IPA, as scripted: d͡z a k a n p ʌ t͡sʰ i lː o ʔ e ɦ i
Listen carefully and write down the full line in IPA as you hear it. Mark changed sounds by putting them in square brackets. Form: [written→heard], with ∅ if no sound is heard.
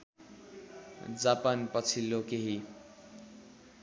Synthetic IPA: d͡z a [k→p] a n p ʌ t͡sʰ i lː o [ʔ→k] e ɦ i

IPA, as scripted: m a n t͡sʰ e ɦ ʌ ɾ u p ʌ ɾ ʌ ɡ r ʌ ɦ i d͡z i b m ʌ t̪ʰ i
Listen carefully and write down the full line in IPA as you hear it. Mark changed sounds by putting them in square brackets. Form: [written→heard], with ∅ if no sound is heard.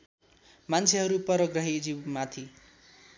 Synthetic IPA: m a n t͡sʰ e ɦ ʌ ɾ u p ʌ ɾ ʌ ɡ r ʌ ɦ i d͡z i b m [ʌ→a] t̪ʰ i

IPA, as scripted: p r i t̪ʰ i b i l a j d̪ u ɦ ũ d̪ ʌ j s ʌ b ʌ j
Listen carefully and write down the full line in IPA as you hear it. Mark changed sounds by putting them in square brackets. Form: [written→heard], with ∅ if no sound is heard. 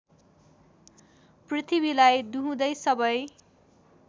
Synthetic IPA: p r i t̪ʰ i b i l a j d̪ u ɦ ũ d̪ ʌ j s ʌ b ʌ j

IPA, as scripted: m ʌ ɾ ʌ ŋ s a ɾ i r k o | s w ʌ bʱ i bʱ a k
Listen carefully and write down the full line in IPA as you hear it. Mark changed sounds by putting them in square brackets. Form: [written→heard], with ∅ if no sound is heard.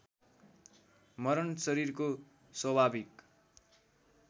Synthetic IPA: m ʌ ɾ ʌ [ŋ→n] s [a→ʌ] ɾ i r k o | s w ʌ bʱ [i→a] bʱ [a→i] k

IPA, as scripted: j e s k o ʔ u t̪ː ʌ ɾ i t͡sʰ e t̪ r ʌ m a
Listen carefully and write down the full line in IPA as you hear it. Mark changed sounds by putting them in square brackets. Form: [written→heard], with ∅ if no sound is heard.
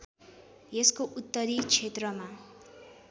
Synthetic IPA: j e s k o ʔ u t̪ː ʌ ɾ i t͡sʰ e t̪ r ʌ m a

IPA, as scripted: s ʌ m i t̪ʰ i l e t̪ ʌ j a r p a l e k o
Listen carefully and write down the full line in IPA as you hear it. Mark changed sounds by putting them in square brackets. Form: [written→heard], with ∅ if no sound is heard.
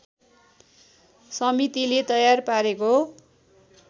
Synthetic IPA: s ʌ m i [t̪ʰ→t̪] i l e t̪ ʌ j a r p a [l→ɾ] e k o

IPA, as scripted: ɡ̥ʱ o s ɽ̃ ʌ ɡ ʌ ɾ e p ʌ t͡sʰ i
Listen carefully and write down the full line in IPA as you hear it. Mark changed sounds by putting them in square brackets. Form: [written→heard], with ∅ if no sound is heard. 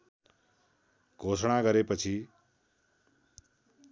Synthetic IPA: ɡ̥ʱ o s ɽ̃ [ʌ→a] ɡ ʌ ɾ e p ʌ t͡sʰ i

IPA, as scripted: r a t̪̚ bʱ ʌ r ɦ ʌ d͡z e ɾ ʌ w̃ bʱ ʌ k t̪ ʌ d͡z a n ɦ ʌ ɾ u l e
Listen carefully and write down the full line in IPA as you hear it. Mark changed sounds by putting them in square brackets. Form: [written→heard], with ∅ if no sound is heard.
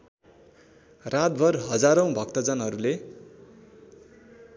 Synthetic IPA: r a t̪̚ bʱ ʌ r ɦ ʌ d͡z [e→a] ɾ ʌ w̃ bʱ ʌ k t̪ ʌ d͡z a n ɦ ʌ ɾ u l e

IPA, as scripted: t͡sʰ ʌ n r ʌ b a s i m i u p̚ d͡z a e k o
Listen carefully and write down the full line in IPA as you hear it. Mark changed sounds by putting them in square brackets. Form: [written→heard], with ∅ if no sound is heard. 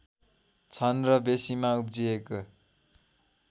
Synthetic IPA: t͡sʰ ʌ n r ʌ b [a→e] s i m [i→a] u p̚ d͡z [a→i] e k o

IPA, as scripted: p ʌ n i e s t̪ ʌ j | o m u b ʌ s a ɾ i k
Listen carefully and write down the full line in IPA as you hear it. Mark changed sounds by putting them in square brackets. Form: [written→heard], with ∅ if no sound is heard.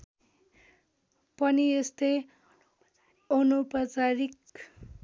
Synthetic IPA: p ʌ n i e s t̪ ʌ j | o [m→n] u [b→p] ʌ [s→t͡s] a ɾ i k

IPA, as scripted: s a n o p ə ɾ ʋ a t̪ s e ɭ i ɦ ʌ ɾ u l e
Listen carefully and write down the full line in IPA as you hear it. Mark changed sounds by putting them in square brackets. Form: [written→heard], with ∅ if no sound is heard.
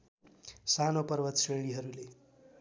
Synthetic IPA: s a n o p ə ɾ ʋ [a→ə] t̪ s e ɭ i ɦ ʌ ɾ u l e

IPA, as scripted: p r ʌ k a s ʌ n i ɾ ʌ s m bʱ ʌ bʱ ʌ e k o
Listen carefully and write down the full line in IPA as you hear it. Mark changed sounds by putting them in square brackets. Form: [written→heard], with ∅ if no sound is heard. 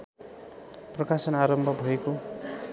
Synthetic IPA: p r ʌ k a s ʌ n [i→a] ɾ ʌ [s→∅] m bʱ ʌ bʱ ʌ e k o

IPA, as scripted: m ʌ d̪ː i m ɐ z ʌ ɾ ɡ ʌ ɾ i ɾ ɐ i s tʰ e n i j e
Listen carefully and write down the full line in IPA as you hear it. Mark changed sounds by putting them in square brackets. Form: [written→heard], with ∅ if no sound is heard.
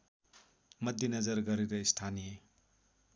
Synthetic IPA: m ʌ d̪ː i [m→n] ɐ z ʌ ɾ ɡ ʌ ɾ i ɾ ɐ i s tʰ [e→a] n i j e

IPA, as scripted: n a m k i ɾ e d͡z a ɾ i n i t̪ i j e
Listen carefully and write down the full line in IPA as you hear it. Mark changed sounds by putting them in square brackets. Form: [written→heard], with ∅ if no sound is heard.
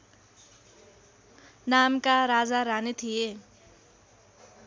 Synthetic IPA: n a m k [i→a] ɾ [e→a] d͡z a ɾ [i→a] n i [t̪→t̪ʰ] i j e

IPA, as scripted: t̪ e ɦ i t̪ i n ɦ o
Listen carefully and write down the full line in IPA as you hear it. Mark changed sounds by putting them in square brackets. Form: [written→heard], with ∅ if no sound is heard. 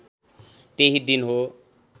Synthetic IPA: t̪ e ɦ i [t̪→d̪] i n ɦ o

